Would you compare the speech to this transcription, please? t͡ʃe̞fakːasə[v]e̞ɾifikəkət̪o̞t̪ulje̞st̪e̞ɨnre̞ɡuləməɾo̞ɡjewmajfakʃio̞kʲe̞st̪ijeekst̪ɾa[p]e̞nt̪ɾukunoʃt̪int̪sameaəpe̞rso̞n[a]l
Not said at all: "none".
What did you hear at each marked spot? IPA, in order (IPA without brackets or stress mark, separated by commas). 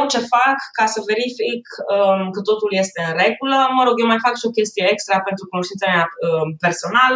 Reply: v, p, a